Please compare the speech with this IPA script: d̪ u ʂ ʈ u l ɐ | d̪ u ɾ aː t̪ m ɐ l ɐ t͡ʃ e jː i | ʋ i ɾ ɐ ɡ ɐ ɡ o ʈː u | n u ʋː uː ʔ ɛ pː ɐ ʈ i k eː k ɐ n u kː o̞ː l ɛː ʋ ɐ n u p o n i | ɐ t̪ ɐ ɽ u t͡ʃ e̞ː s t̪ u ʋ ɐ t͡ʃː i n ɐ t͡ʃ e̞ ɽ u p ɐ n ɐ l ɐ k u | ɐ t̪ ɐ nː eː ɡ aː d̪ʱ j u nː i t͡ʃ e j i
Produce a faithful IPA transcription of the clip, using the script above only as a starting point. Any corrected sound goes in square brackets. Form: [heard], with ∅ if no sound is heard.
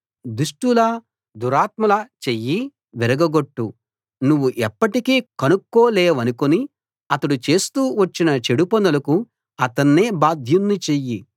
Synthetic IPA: d̪ u ʂ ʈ u l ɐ | d̪ u ɾ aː t̪ m ɐ l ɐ t͡ʃ e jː i | ʋ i ɾ ɐ ɡ ɐ ɡ o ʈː u | n u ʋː [u] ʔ ɛ pː ɐ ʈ i k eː k ɐ n u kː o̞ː l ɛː ʋ ɐ n u [k] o n i | ɐ t̪ ɐ ɽ u t͡ʃ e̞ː s t̪ [uː] ʋ ɐ t͡ʃː i n ɐ t͡ʃ e̞ ɽ u p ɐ n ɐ l ɐ k u | ɐ t̪ ɐ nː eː [b] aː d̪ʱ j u nː i t͡ʃ e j i

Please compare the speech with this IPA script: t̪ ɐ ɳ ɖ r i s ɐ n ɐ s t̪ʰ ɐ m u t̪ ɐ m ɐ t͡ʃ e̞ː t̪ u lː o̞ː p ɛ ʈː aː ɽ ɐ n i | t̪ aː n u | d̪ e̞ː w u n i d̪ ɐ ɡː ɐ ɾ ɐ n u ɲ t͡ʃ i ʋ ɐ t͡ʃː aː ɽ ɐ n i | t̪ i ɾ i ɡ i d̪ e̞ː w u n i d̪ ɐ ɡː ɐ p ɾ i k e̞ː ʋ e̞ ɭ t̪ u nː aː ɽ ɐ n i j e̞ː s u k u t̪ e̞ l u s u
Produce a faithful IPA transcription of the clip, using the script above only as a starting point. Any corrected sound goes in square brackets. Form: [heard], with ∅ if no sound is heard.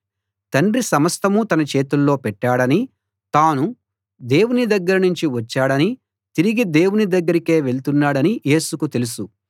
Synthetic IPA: t̪ ɐ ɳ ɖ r i s ɐ [m] ɐ s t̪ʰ ɐ m u t̪ ɐ [n] ɐ t͡ʃ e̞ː t̪ u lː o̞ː p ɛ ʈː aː ɽ ɐ n i | t̪ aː n u | d̪ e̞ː w u n i d̪ ɐ ɡː ɐ ɾ ɐ n u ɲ t͡ʃ i ʋ ɐ t͡ʃː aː ɽ ɐ n i | t̪ i ɾ i ɡ i d̪ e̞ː w u n i d̪ ɐ ɡː ɐ [∅] ɾ i k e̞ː ʋ e̞ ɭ t̪ u nː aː ɽ ɐ n i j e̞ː s u k u t̪ e̞ l u s u

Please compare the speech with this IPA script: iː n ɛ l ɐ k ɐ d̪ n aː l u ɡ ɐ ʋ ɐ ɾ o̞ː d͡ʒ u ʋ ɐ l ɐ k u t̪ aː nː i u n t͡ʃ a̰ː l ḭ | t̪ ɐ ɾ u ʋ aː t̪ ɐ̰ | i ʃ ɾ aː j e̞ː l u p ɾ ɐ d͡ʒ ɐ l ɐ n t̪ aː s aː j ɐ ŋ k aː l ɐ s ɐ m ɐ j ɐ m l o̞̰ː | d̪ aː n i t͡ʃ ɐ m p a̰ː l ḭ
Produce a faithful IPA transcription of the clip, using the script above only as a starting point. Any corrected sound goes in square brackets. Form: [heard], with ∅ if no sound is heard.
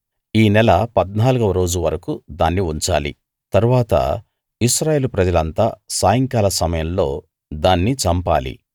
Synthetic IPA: iː n ɛ l ɐ [p] ɐ d̪ n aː l u ɡ ɐ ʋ ɐ ɾ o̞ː d͡ʒ u ʋ ɐ [ɾ] ɐ k u [d̪] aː nː i u [ɲ] t͡ʃ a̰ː l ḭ | t̪ ɐ ɾ u ʋ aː t̪ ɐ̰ | i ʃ ɾ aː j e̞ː l u p ɾ ɐ d͡ʒ ɐ l ɐ n t̪ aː s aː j ɐ ŋ k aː l ɐ s ɐ m ɐ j ɐ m l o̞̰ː | d̪ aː [nː] i t͡ʃ ɐ m p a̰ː l ḭ

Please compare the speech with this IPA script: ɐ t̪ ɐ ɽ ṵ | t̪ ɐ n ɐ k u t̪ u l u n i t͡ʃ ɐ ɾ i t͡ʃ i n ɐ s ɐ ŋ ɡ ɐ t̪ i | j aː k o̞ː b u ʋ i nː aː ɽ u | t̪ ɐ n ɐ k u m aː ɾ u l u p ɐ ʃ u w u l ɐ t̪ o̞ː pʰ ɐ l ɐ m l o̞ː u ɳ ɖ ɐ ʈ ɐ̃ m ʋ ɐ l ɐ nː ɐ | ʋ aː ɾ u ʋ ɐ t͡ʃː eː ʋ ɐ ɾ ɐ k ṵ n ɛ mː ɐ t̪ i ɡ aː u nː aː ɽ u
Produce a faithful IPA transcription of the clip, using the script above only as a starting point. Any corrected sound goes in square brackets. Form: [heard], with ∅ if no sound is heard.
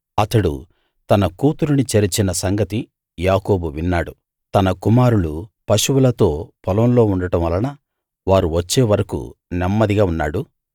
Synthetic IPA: ɐ t̪ ɐ ɽ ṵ | t̪ ɐ n ɐ k [uː] t̪ u [ɾ] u n i t͡ʃ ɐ ɾ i t͡ʃ i n ɐ s ɐ ŋ ɡ ɐ t̪ i | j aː k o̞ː b u ʋ i nː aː ɽ u | t̪ ɐ n ɐ k u m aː ɾ u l u p ɐ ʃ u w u l ɐ t̪ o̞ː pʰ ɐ l ɐ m l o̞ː u ɳ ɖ ɐ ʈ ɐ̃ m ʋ ɐ l ɐ [n] ɐ | ʋ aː ɾ u ʋ ɐ t͡ʃː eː ʋ ɐ ɾ ɐ k ṵ n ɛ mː ɐ [d̪] i ɡ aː u nː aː ɽ u

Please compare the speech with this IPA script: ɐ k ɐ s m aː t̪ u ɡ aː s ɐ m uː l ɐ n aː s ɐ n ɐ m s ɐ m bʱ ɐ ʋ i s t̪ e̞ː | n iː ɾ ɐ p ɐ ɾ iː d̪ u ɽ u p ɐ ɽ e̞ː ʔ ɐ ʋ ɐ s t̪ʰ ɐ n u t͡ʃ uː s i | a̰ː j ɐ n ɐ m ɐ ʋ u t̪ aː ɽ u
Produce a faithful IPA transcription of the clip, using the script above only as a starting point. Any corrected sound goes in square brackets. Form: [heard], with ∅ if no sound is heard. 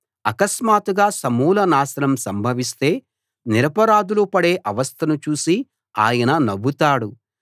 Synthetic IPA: ɐ k ɐ s m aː t̪ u ɡ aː s ɐ m uː l ɐ n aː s ɐ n ɐ m s ɐ m bʱ ɐ ʋ i s t̪ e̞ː | n [i] ɾ ɐ p ɐ ɾ [aː] d̪ u [l] u p ɐ ɽ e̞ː ʔ ɐ ʋ ɐ s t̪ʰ ɐ n u t͡ʃ uː s i | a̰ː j ɐ n ɐ [n] ɐ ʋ u t̪ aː ɽ u

